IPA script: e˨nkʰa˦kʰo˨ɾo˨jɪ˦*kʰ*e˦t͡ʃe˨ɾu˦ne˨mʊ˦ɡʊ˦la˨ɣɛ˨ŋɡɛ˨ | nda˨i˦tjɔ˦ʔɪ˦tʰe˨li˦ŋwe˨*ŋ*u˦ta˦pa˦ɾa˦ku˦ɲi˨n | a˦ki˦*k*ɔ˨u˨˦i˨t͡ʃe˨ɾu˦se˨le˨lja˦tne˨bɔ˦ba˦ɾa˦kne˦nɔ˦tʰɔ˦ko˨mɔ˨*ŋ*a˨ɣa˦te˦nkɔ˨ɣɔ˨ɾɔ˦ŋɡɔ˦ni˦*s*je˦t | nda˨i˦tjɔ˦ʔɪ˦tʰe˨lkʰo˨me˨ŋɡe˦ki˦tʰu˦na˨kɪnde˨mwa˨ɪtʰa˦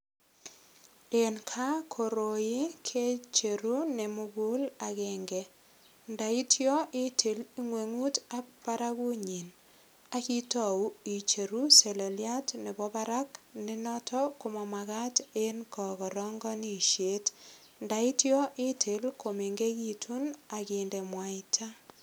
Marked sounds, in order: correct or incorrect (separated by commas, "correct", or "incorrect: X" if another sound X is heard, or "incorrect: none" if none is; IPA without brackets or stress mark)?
correct, correct, incorrect: t, incorrect: m, incorrect: ʃ